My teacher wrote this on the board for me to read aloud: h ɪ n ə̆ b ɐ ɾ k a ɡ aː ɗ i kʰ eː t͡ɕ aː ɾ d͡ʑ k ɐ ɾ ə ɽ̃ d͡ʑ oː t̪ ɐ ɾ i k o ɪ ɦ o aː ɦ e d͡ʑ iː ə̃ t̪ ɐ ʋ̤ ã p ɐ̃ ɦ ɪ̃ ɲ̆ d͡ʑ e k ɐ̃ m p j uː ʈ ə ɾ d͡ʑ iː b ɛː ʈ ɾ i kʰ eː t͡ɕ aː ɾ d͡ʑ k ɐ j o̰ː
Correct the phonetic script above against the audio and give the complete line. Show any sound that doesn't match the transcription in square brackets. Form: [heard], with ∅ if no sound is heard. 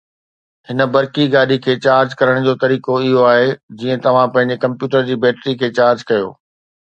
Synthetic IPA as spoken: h ɪ n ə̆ b ɐ ɾ k [i] ɡ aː ɗ i kʰ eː t͡ɕ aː ɾ d͡ʑ k ɐ ɾ ə ɽ̃ d͡ʑ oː t̪ ɐ ɾ [iː] k o ɪ ɦ o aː ɦ e d͡ʑ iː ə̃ t̪ ɐ ʋ̤ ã p ɐ̃ ɦ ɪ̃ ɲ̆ d͡ʑ e k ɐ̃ m p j uː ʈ ə ɾ d͡ʑ iː b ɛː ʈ ɾ i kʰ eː t͡ɕ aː ɾ d͡ʑ k ɐ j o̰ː